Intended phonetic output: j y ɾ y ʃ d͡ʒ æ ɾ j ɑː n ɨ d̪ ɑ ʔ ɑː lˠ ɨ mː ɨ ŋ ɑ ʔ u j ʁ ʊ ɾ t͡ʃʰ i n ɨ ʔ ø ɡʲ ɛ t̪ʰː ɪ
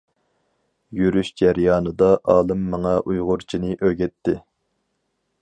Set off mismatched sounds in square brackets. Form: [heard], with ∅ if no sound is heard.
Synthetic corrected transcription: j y ɾ y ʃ d͡ʒ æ ɾ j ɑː n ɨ d̪ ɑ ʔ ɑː lˠ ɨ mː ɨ ŋ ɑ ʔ u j ʁ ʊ ɾ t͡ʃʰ i n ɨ ʔ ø ɡʲ ɛ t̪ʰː ɪ